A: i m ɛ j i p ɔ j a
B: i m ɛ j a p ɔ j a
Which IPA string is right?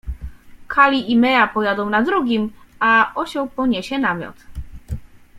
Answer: B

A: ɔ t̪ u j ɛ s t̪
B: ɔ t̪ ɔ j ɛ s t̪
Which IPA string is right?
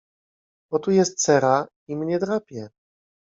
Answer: A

